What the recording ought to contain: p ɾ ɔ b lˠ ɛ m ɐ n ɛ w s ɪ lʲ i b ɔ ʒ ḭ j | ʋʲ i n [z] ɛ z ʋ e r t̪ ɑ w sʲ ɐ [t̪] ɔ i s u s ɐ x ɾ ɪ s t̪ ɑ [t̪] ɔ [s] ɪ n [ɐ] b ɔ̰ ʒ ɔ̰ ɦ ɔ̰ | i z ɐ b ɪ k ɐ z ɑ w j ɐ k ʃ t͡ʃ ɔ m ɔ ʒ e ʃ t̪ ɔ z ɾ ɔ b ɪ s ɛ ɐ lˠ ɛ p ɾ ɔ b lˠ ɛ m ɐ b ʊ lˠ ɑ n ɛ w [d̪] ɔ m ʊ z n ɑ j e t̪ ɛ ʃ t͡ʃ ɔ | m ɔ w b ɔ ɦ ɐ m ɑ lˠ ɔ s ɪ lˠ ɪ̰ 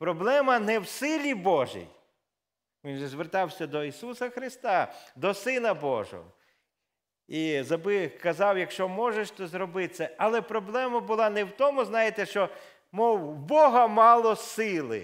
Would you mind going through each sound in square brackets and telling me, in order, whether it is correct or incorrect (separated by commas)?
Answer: incorrect, incorrect, incorrect, correct, correct, incorrect